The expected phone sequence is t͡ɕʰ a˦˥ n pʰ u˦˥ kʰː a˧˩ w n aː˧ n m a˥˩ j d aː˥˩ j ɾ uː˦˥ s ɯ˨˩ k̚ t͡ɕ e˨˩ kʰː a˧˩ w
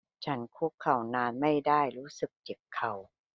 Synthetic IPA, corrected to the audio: t͡ɕʰ a˦˥ n kʰ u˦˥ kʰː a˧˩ w n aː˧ n m a˥˩ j d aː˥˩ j ɾ uː˦˥ s ɯ˨˩ k̚ t͡ɕ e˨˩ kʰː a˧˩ w